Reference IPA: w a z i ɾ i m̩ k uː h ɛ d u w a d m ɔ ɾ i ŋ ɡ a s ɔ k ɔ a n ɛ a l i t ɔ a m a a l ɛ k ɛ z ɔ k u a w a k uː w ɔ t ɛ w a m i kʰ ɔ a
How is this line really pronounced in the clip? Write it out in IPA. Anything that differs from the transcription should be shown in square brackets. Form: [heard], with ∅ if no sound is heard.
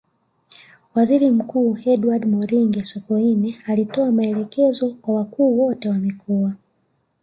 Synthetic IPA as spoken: w a z i ɾ i m̩ k uː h ɛ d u w a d m ɔ ɾ i ŋ ɡ [ɛ] s ɔ k ɔ [i] n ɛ a l i t ɔ a m a [ɛ] l ɛ k ɛ z ɔ k [w] a w a k uː w ɔ t ɛ w a m i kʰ ɔ a